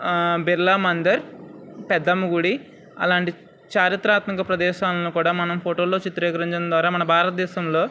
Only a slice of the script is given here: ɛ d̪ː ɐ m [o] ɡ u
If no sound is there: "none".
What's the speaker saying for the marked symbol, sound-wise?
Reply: u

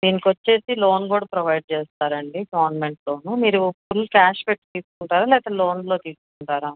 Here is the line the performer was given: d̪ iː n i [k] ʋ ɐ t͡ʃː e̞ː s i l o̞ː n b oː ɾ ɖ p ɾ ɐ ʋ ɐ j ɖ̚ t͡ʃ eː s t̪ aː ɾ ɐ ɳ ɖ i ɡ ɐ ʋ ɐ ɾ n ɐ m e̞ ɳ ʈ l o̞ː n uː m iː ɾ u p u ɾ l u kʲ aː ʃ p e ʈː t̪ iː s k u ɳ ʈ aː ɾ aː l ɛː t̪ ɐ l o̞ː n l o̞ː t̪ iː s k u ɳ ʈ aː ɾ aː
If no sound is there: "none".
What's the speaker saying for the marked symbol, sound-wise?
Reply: k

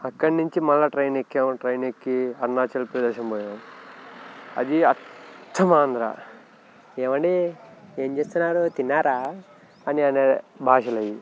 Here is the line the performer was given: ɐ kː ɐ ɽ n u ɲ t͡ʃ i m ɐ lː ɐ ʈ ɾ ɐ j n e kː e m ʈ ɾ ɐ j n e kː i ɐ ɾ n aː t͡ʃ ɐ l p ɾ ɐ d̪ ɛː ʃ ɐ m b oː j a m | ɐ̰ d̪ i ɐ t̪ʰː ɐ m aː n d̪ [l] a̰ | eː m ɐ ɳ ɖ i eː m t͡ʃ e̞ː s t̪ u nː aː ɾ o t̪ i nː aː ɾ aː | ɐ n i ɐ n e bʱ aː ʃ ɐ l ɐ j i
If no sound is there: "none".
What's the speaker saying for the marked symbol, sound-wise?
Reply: ɾ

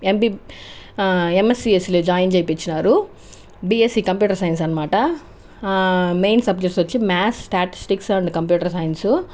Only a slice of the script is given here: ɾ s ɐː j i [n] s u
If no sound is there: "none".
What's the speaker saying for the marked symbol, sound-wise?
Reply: n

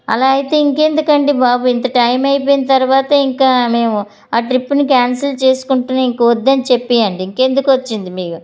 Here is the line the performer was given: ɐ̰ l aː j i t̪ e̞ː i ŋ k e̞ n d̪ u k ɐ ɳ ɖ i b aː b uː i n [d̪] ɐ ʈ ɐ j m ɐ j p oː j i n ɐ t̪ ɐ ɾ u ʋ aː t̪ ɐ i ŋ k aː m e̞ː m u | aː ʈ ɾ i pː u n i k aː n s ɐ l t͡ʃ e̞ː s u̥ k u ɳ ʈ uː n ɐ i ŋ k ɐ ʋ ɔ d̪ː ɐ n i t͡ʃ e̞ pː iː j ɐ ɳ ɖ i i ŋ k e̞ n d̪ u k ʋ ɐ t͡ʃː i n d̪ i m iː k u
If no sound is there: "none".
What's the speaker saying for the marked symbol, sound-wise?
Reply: t̪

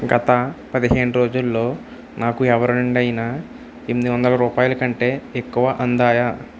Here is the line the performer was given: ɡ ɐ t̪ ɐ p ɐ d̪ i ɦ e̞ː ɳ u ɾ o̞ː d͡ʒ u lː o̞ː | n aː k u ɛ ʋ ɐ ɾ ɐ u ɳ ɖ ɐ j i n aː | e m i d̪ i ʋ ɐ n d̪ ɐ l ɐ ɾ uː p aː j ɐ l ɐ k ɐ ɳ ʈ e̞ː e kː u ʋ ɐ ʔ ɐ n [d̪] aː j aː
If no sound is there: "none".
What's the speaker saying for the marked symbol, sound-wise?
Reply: d̪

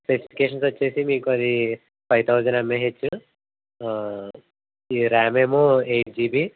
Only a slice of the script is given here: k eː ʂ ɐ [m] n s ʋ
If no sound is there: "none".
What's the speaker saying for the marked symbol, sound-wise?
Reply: none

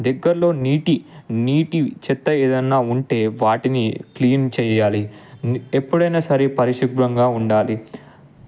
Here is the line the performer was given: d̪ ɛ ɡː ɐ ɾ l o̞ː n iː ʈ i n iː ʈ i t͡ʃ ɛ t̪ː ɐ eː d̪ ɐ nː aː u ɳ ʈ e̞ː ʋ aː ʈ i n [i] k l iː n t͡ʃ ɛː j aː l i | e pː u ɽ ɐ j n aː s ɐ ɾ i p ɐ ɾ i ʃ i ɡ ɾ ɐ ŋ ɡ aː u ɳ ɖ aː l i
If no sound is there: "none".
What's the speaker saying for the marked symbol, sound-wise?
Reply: i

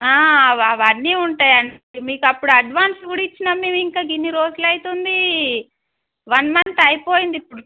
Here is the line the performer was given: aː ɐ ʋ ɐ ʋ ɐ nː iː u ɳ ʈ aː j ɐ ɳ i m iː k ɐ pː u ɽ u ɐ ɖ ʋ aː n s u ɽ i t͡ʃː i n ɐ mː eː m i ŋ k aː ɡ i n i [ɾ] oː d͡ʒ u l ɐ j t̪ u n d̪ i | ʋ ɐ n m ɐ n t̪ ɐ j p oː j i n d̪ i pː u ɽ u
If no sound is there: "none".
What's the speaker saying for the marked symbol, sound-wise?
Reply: ɾ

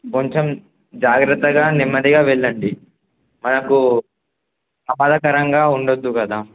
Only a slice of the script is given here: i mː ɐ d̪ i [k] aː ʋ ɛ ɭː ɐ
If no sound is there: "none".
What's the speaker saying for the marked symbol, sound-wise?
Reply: ɡ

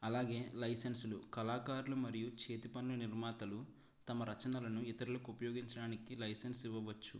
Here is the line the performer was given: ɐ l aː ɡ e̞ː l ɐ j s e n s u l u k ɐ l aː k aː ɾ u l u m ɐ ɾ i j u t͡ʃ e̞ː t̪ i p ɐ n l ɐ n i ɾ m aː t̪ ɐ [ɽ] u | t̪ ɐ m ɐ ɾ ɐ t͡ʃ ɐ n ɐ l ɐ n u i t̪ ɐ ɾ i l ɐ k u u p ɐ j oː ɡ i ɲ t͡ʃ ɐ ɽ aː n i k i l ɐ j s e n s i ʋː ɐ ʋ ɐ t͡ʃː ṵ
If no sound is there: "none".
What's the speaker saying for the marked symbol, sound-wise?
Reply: l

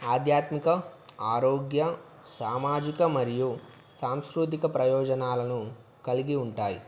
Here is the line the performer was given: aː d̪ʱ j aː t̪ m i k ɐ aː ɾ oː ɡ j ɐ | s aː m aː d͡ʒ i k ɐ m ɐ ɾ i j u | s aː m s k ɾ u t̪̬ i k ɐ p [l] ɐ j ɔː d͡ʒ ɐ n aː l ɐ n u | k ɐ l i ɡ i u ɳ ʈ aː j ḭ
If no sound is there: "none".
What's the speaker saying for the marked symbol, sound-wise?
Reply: ɾ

